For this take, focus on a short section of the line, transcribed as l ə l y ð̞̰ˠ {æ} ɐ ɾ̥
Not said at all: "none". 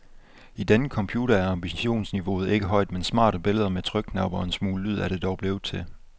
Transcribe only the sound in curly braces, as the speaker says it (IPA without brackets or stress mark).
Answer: æ